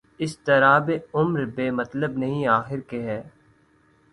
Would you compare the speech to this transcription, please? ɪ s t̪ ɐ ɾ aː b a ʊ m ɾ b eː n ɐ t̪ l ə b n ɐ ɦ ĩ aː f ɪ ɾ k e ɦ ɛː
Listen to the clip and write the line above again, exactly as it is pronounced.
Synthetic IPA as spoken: ɪ s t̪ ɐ ɾ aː b e ʊ m ɾ b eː m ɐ t̪ l ə b n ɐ ɦ ĩ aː x ɪ ɾ k e ɦ ɛː